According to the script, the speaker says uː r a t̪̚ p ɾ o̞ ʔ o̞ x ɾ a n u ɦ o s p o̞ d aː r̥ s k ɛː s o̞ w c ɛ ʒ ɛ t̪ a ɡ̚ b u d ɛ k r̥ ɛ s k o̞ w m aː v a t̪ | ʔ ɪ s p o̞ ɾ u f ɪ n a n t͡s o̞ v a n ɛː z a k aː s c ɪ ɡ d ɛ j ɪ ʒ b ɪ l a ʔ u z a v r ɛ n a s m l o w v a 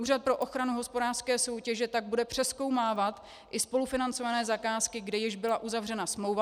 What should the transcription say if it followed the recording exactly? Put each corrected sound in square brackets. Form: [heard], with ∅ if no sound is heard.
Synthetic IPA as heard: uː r a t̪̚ p ɾ o̞ ʔ o̞ x ɾ a n u ɦ o s p o̞ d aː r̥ s k ɛː s o̞ w c ɛ ʒ ɛ t̪ a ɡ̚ b u d ɛ [p] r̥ ɛ s k o̞ w m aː v a t̪ | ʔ ɪ s p o̞ [l] u f ɪ n a n t͡s o̞ v a n ɛː z a k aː s [k] ɪ ɡ d ɛ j ɪ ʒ b ɪ l a ʔ u z a v r ɛ n a s m l o w v a

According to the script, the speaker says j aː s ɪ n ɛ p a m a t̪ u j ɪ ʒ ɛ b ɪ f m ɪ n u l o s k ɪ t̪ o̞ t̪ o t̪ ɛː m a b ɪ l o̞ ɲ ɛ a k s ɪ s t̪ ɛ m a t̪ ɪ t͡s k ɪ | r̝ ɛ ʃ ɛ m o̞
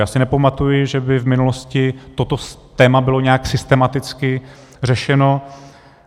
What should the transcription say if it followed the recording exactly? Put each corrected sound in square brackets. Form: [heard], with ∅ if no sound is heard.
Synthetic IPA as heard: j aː s ɪ n ɛ p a m a t̪ u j ɪ ʒ ɛ b ɪ [v] m ɪ n u l o s [c] ɪ t̪ o̞ t̪ o t̪ ɛː m a b ɪ l o̞ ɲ ɛ a k s ɪ s t̪ ɛ m a t̪ ɪ t͡s k ɪ | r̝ ɛ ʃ ɛ [n] o̞

